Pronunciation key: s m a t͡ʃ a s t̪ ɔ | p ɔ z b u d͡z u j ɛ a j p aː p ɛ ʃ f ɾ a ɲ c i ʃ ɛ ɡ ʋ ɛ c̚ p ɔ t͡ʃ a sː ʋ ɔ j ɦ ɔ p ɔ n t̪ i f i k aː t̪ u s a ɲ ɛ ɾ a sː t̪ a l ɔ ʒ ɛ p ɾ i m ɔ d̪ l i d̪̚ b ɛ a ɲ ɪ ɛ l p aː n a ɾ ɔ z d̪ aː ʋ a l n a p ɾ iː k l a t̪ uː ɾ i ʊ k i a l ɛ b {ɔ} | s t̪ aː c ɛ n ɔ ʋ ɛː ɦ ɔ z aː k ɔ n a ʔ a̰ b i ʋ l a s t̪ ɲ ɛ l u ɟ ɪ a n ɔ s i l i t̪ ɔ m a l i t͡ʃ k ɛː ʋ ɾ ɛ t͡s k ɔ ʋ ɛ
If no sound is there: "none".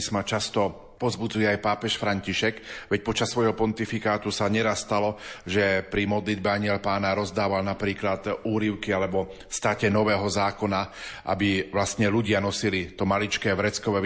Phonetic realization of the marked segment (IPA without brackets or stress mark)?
ɔ